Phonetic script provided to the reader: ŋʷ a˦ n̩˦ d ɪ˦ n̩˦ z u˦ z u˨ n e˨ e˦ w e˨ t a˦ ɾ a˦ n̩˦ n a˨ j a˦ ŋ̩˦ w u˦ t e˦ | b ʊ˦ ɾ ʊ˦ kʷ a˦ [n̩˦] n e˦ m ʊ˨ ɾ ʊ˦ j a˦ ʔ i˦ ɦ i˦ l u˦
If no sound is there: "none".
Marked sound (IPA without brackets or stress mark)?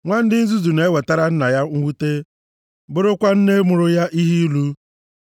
n̩˦